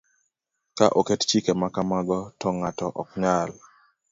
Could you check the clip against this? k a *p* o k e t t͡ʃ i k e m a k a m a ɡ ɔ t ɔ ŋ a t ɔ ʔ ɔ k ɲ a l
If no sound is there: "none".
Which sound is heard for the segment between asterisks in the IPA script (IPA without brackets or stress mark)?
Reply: ʔ